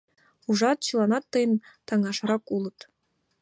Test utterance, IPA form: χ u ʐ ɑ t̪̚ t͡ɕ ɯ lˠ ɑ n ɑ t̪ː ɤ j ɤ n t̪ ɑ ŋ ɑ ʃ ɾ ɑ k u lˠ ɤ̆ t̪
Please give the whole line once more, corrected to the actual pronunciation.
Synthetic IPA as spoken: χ u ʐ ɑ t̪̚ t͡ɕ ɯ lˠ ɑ n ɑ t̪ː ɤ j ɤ n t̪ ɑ ŋ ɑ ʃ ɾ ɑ k u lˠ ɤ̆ t̪